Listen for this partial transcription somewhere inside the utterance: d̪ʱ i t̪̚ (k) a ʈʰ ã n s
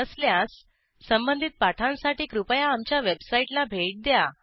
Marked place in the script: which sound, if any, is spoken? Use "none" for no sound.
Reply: p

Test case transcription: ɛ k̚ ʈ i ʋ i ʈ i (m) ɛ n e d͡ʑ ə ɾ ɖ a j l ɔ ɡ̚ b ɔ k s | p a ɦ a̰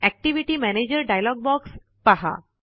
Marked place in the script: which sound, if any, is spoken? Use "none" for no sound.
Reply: m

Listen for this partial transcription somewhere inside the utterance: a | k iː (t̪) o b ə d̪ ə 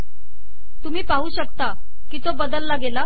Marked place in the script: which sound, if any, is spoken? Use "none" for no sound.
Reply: t̪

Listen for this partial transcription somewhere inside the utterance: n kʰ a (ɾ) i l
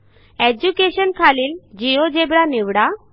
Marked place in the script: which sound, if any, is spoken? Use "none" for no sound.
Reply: l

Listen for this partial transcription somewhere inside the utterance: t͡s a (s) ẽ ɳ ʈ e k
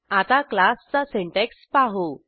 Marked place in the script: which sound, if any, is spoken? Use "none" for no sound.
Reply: s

